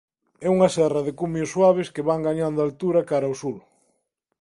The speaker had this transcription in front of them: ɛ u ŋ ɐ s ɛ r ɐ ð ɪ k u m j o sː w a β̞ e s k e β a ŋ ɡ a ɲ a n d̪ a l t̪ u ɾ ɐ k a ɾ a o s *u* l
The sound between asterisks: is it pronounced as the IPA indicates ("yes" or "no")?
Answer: yes